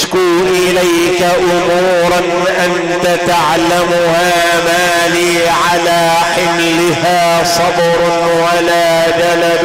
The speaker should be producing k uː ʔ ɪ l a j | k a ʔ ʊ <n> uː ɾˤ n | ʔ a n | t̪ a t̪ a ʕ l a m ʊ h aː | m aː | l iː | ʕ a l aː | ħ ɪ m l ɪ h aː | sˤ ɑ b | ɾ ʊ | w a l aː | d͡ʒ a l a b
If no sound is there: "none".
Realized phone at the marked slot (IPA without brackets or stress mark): m